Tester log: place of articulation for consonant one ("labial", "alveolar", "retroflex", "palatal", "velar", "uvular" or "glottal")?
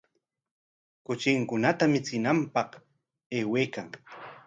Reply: velar